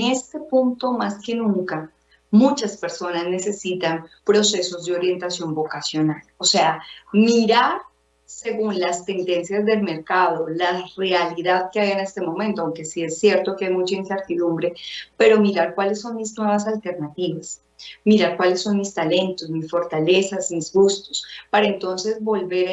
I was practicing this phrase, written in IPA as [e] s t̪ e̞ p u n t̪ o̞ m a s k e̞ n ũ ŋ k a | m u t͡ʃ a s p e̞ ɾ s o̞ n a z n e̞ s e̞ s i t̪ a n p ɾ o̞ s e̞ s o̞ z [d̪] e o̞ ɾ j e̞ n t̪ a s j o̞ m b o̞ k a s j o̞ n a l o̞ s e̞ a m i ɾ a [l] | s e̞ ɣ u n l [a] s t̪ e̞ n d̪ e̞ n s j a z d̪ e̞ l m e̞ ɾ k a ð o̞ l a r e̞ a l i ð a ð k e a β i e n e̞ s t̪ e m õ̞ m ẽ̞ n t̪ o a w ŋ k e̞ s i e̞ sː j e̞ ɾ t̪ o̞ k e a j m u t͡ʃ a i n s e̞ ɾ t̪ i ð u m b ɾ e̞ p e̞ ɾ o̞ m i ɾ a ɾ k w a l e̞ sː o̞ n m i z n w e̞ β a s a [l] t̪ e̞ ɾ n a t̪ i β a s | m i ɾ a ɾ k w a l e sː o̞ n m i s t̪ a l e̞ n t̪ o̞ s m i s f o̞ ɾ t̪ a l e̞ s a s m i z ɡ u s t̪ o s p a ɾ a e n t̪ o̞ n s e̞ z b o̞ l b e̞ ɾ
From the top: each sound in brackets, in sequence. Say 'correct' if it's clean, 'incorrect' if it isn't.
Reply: correct, correct, incorrect: ɾ, correct, correct

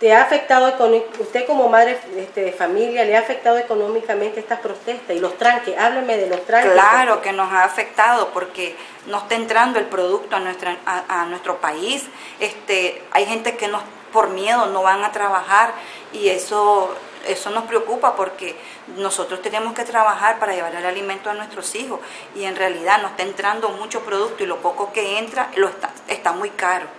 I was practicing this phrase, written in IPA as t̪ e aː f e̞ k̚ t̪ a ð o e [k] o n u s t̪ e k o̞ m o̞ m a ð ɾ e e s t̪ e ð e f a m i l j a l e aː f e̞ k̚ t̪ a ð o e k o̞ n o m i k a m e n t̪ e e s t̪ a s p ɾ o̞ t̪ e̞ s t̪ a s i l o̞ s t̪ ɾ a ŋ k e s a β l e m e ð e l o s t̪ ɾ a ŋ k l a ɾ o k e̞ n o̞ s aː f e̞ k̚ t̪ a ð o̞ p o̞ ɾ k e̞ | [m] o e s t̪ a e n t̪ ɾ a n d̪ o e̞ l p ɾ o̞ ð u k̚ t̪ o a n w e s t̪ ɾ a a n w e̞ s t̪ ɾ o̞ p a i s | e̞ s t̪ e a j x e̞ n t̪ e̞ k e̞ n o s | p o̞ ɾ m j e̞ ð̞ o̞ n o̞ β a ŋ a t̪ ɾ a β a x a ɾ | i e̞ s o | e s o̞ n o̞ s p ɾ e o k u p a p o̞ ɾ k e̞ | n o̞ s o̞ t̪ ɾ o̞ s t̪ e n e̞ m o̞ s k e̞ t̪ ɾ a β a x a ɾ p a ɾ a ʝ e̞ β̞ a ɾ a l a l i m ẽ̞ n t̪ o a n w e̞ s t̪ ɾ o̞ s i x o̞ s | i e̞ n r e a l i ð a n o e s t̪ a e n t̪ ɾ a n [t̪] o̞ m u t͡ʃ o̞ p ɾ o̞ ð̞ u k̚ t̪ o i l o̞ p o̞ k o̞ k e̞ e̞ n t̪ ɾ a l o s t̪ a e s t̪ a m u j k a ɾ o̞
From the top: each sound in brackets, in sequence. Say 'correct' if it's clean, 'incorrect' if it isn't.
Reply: correct, incorrect: n, incorrect: d̪

